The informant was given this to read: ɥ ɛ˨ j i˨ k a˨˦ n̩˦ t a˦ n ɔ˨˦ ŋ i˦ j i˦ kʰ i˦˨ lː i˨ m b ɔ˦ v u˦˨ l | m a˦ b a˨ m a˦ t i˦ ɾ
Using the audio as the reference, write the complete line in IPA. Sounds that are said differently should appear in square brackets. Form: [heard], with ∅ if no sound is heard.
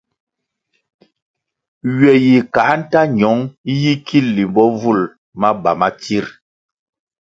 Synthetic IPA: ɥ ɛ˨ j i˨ k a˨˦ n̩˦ t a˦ [ɲ] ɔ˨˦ ŋ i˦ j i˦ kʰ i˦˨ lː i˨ m b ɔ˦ v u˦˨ l | m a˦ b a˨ m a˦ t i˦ ɾ